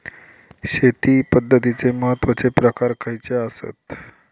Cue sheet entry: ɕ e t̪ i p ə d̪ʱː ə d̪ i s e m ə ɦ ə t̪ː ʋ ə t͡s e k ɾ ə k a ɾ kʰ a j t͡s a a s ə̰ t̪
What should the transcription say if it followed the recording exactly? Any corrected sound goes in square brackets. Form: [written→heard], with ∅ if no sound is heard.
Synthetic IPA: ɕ e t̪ i p ə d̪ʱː ə [d̪→t̪] i [s→t͡s] e m ə ɦ ə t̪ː ʋ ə t͡s e [k→p] ɾ ə k a ɾ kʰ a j t͡s [a→e] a s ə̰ t̪